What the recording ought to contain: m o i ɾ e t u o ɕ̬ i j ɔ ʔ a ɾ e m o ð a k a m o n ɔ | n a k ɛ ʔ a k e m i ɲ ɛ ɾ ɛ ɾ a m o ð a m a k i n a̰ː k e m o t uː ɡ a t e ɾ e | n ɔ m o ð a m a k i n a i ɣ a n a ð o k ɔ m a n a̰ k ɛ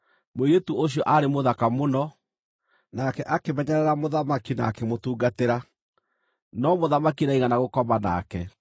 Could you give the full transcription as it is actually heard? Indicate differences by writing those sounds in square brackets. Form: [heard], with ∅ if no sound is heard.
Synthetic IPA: m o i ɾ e t u o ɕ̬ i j ɔ ʔ a ɾ e m o ð a k a m o n ɔ | n a k ɛ ʔ a k e m [ɛ] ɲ ɛ ɾ ɛ ɾ a m o ð a m a k i n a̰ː k e m o t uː ɡ a t e ɾ [a] | n ɔ m o ð a m a k i n a i ɣ a n a [ɣ] o k ɔ m a n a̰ k ɛ